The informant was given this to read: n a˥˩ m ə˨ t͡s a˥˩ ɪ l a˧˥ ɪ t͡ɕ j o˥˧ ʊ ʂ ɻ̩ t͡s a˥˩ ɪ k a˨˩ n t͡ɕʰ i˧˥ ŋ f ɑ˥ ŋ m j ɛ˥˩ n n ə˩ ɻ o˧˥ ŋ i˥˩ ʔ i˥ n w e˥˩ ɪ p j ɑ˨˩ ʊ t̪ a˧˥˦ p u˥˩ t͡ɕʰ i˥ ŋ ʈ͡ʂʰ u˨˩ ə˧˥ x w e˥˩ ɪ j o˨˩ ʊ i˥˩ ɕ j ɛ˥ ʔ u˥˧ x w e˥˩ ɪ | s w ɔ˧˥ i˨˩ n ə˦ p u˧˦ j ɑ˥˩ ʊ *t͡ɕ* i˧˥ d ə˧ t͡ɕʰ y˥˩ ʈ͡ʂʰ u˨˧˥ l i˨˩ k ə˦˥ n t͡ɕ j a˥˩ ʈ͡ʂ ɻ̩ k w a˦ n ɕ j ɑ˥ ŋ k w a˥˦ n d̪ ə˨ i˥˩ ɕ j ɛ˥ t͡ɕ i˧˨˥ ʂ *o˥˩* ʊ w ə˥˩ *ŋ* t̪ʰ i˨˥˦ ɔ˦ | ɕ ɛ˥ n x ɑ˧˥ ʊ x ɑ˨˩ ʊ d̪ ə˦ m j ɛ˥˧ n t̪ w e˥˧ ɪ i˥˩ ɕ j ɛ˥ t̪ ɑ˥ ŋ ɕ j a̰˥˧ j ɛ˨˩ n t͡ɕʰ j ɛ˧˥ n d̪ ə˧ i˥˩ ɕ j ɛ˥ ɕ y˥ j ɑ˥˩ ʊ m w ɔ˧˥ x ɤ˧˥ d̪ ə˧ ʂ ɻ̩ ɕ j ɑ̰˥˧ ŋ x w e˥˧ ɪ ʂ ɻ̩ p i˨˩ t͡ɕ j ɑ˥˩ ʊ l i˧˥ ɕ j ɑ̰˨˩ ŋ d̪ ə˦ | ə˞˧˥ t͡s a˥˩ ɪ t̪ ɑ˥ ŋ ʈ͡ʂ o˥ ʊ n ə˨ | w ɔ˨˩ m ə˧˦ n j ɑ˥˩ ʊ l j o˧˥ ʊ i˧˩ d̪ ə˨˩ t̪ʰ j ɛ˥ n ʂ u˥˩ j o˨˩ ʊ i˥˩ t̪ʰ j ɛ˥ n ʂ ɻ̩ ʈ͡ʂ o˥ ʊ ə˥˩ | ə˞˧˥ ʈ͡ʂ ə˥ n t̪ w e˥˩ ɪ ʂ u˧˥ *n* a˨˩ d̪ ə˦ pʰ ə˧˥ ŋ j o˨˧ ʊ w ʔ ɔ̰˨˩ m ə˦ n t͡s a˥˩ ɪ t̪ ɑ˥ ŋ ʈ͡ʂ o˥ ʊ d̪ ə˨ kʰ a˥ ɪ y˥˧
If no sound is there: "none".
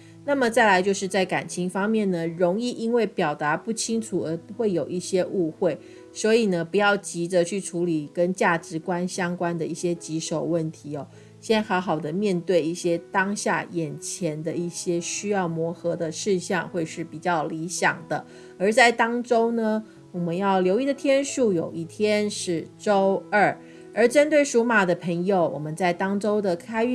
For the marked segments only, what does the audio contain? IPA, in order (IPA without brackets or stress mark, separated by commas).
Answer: t͡ɕ, o˨˩, n, m